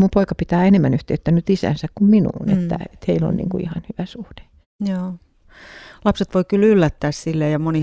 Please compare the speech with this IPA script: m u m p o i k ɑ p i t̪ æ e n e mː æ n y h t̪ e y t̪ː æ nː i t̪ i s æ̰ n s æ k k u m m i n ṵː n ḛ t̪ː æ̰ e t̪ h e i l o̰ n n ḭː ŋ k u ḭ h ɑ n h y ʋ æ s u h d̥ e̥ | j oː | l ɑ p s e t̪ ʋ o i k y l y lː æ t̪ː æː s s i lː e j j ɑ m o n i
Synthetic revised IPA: m u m p o i k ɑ p i t̪ æː e n e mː æ n y h t̪ e y t̪ː æ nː y t̪ i s æ̰ n s æ k k u m m i n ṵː n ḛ t̪ː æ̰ e t̪ h e i l o̰ n n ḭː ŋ k u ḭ h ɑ n h y ʋ æ s u h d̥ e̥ | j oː | l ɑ p s e t̪ ʋ o i k y l y lː æ t̪ː æː s s i lː e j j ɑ m o n i